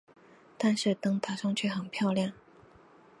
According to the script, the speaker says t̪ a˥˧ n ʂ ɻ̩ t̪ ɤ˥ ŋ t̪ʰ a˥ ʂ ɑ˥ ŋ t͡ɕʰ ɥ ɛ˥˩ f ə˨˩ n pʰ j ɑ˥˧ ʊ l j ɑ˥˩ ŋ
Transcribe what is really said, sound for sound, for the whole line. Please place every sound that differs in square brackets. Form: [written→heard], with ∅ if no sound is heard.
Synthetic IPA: t̪ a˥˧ n ʂ ɻ̩ t̪ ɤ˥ ŋ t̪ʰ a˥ ʂ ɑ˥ ŋ t͡ɕʰ ɥ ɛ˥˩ [f→x] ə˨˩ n pʰ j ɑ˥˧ ʊ l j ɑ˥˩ ŋ